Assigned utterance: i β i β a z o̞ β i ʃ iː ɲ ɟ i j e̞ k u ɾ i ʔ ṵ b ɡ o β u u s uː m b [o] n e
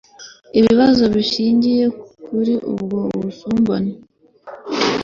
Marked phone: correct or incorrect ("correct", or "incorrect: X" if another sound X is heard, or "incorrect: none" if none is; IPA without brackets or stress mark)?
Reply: correct